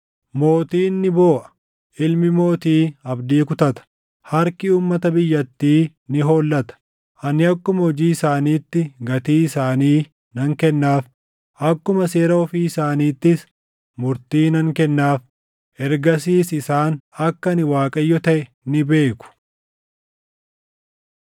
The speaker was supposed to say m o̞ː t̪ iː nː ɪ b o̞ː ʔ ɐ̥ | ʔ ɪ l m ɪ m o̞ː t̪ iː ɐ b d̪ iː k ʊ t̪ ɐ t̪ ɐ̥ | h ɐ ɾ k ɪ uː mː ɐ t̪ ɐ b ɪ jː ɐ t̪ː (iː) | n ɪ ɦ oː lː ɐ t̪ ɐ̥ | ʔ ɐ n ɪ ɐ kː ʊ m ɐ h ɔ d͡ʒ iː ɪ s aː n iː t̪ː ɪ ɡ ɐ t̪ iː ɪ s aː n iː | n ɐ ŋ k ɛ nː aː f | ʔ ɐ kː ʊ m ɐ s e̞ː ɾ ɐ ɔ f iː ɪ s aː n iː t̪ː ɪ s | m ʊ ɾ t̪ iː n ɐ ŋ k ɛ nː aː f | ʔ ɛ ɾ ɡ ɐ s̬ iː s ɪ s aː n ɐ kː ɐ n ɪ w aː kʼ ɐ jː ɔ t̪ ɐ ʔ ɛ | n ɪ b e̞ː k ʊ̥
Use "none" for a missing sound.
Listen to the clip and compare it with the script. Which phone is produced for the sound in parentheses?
iː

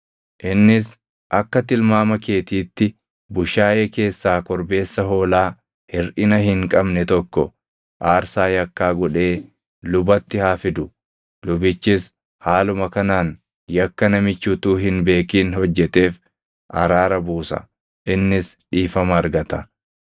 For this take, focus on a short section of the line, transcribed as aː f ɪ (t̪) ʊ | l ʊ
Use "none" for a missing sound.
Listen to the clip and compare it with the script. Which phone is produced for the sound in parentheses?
d̪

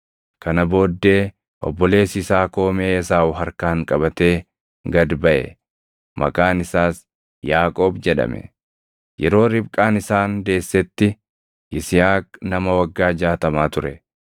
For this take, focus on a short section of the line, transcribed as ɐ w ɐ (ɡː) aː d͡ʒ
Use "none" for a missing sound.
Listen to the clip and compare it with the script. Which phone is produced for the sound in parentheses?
ɡː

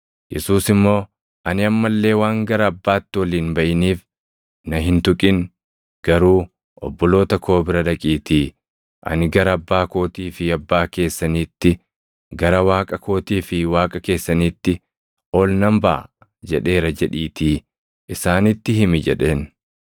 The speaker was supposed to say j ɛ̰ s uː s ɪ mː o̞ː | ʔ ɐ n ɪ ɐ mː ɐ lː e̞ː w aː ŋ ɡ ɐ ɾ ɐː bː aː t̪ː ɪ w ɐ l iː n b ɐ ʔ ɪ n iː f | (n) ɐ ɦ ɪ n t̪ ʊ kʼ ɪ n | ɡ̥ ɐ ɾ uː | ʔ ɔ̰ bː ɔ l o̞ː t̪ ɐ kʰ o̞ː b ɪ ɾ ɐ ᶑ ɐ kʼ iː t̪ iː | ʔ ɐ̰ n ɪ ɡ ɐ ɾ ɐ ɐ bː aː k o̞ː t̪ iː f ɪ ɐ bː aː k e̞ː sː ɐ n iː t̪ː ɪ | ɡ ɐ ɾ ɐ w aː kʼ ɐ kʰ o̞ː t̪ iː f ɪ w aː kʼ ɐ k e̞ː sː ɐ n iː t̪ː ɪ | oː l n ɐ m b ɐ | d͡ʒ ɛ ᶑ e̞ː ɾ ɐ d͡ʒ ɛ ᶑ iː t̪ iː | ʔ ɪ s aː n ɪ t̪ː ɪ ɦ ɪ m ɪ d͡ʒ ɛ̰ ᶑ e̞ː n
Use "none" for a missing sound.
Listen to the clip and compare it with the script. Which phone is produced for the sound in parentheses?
n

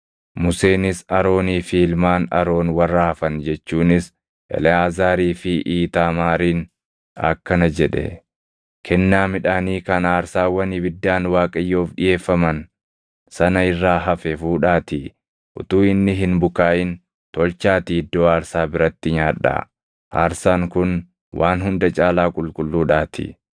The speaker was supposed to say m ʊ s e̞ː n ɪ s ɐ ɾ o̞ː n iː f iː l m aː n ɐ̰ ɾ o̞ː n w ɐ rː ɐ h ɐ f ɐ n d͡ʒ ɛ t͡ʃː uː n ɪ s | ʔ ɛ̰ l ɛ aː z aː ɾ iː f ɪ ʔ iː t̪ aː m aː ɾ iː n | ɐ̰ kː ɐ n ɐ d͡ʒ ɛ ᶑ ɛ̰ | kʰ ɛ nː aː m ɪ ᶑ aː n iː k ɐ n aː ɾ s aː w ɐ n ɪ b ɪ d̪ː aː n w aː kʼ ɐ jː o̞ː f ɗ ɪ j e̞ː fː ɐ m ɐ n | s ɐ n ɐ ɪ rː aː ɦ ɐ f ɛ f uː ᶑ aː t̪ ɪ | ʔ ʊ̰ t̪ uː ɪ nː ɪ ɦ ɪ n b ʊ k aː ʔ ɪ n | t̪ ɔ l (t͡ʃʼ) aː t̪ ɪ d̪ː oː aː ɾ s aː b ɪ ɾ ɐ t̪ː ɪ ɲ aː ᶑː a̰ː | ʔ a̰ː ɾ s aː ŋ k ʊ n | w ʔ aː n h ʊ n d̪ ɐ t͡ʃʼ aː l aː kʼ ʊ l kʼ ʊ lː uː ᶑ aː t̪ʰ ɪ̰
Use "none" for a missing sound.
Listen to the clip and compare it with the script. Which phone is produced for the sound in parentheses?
t͡ʃ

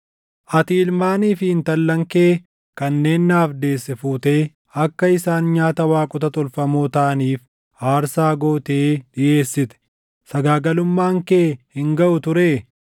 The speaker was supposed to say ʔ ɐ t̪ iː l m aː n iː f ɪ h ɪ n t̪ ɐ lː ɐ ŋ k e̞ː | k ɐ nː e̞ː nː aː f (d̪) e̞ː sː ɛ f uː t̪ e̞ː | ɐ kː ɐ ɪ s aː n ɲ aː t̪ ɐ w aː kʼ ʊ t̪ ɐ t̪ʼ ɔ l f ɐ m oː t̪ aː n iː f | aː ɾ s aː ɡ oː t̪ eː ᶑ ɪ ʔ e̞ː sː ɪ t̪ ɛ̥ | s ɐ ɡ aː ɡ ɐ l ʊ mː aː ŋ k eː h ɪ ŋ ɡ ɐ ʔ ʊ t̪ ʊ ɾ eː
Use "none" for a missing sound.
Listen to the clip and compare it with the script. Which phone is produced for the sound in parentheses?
d̪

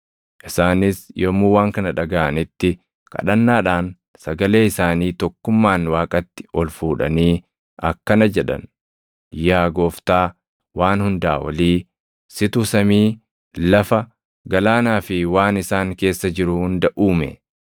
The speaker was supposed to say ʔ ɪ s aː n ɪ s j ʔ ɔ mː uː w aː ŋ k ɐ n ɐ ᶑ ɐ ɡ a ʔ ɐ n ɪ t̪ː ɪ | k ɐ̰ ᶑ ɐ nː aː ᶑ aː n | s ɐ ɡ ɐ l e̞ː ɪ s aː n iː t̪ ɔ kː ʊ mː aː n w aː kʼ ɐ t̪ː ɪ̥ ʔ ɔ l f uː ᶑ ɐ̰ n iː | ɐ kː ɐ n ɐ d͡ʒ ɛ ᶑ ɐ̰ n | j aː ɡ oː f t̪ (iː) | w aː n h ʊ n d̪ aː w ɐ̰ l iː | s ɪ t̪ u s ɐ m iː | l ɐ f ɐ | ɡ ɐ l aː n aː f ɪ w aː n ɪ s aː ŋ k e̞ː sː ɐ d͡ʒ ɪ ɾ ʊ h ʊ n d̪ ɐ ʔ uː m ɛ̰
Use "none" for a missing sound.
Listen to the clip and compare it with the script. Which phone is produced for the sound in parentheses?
aː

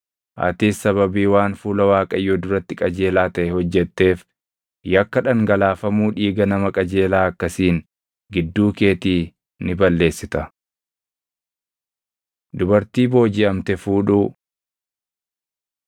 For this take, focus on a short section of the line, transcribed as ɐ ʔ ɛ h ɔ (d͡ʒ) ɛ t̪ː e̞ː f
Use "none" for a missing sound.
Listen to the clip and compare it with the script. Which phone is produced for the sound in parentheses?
d͡ʒː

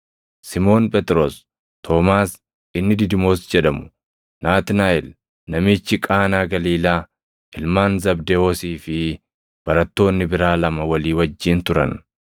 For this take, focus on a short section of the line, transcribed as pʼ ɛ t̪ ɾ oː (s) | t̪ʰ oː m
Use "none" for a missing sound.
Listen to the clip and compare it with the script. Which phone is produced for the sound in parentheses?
s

